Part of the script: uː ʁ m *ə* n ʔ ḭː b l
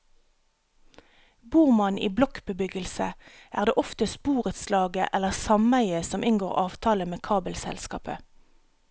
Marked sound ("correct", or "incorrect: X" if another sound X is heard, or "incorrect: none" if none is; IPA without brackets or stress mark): incorrect: ɑ